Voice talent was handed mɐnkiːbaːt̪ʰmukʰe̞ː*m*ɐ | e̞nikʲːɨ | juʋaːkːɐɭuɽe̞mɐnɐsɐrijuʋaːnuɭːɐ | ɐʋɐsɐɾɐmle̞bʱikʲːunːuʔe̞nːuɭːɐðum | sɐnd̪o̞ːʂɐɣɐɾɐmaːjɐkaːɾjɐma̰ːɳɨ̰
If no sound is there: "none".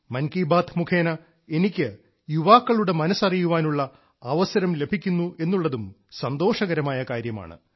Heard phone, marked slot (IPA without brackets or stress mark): n